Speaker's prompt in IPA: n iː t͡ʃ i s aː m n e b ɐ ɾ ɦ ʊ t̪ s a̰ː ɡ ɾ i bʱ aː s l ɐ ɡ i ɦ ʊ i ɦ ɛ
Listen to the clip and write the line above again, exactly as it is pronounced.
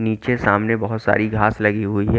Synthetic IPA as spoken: n iː t͡ʃ e s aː m n e b ɐ ɦ ʊ t̪ s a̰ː ɾ i ɡʱ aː s l ɐ ɡ i ɦ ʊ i ɦ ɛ